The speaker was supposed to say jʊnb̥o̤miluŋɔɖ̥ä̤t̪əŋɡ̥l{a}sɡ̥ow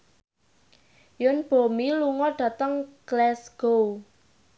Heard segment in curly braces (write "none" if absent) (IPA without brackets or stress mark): ɛ